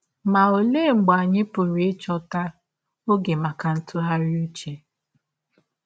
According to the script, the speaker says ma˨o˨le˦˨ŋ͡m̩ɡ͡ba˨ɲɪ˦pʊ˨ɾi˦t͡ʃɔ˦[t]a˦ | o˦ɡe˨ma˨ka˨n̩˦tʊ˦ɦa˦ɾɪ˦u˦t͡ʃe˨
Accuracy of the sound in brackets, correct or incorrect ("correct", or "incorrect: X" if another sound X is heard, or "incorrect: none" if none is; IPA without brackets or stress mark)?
correct